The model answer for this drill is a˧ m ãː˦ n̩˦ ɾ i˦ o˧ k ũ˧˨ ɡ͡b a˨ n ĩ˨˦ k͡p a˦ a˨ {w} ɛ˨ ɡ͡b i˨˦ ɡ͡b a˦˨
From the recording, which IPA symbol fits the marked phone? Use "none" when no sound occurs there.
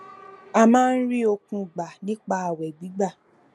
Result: w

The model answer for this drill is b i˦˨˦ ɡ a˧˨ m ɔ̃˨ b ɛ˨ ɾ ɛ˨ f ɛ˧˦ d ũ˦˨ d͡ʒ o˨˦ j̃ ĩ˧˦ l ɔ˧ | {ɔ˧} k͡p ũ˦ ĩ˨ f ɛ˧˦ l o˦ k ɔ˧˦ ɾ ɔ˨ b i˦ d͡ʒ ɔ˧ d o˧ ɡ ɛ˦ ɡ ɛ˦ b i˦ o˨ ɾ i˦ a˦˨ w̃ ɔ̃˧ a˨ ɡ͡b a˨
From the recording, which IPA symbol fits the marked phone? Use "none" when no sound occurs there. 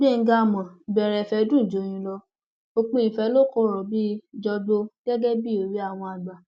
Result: o˧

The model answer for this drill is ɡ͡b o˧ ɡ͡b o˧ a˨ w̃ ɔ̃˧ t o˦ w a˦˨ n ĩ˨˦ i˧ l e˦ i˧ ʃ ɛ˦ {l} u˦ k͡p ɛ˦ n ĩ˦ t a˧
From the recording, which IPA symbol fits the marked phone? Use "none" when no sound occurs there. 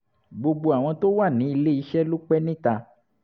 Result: l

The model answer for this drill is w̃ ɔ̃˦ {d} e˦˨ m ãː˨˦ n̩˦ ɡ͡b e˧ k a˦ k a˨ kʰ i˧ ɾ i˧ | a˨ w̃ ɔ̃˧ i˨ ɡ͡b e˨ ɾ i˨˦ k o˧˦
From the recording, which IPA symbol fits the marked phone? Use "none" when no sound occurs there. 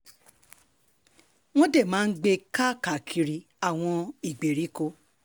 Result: d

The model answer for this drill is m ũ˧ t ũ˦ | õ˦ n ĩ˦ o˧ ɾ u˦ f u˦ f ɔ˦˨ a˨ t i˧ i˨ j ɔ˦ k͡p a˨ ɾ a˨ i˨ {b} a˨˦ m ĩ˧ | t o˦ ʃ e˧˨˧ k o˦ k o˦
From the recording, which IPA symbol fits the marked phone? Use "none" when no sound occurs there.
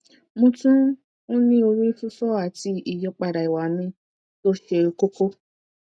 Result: w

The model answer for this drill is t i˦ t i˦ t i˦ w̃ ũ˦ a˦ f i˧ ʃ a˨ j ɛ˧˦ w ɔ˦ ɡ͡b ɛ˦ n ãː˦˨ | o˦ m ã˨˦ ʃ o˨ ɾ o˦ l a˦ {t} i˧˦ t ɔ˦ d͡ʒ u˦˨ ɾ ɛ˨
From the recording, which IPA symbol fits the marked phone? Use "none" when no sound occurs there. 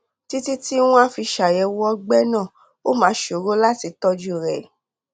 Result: t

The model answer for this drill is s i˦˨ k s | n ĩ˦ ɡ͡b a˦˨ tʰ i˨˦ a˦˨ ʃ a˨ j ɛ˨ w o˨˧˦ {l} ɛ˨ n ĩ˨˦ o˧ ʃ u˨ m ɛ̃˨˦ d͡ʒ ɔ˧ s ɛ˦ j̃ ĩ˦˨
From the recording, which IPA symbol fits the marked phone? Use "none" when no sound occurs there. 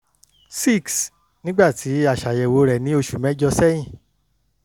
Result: ɾ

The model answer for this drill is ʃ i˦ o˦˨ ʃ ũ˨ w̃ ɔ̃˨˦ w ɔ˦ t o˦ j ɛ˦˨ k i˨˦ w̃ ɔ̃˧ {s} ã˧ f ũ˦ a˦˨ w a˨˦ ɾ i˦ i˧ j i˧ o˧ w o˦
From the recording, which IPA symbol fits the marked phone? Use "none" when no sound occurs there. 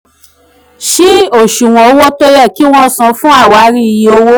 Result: s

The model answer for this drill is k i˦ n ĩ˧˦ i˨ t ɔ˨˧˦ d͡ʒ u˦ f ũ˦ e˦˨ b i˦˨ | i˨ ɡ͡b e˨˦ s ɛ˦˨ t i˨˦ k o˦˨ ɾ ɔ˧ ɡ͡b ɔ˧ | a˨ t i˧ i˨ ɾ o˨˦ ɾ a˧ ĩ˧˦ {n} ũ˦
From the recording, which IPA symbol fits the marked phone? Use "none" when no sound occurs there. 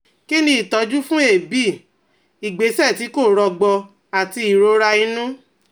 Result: n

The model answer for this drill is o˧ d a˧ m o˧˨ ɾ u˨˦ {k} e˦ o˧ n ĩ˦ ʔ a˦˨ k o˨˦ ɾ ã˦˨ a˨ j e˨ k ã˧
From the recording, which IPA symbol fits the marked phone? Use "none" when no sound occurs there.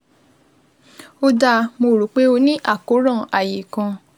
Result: k͡p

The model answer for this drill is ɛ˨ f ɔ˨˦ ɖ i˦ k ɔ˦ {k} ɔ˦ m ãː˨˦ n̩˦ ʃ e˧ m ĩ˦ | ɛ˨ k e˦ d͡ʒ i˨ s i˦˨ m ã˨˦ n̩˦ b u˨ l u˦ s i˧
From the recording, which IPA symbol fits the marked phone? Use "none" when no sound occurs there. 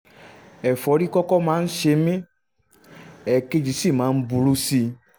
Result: k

